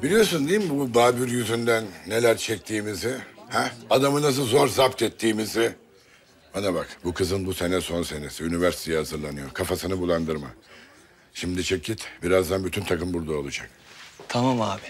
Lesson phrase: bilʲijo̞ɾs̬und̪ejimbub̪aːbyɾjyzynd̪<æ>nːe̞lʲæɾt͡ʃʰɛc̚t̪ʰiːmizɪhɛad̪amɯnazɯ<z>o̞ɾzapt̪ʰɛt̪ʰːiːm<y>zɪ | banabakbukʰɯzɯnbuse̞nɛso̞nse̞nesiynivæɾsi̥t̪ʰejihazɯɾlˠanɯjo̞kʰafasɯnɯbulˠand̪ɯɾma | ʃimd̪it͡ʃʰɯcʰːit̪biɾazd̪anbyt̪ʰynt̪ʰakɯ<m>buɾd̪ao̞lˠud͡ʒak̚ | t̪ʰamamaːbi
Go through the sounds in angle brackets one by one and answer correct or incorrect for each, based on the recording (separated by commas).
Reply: correct, correct, incorrect, correct